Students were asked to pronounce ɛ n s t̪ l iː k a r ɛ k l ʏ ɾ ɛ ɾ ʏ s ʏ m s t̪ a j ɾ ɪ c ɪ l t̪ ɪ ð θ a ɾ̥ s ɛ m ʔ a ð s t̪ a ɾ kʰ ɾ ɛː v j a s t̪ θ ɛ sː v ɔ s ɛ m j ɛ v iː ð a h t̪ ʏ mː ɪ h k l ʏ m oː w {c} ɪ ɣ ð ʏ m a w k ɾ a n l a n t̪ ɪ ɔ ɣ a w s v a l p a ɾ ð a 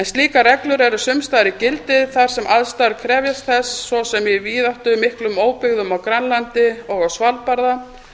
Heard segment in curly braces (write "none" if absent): p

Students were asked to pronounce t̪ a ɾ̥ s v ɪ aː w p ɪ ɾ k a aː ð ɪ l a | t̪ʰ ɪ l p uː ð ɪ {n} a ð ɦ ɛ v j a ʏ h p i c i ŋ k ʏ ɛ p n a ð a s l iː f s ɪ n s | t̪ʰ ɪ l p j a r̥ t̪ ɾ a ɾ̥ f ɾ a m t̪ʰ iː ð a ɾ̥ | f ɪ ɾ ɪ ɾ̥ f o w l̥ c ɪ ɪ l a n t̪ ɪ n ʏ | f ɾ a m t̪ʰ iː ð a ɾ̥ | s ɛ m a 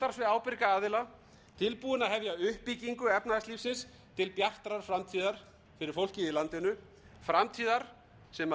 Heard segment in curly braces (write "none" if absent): n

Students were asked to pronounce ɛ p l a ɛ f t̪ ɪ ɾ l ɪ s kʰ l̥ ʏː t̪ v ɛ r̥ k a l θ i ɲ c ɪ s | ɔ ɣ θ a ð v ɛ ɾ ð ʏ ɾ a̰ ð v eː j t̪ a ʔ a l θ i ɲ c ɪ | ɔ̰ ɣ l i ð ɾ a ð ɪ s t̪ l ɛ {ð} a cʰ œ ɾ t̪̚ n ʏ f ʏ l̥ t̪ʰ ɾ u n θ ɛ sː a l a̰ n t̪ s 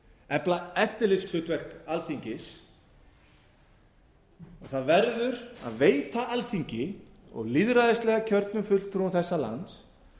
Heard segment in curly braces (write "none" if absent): ɣ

